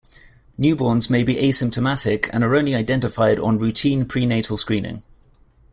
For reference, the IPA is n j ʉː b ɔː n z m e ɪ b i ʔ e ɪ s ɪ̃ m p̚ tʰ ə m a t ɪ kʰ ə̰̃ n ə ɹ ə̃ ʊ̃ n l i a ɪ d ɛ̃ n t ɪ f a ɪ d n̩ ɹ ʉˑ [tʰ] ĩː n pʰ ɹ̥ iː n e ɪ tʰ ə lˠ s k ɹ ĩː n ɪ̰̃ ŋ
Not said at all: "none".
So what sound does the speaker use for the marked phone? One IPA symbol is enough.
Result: tʰ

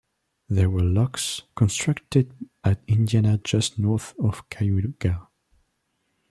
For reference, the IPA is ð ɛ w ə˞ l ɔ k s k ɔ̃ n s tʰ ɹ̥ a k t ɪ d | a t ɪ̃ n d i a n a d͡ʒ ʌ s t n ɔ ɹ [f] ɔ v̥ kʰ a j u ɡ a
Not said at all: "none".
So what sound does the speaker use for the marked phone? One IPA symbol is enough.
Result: θ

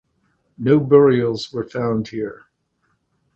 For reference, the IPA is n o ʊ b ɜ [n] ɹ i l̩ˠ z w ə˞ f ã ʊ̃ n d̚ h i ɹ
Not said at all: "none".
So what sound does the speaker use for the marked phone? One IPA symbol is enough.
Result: none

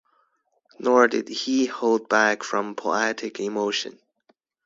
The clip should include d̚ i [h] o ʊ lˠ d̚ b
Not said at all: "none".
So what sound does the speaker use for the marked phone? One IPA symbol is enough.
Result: h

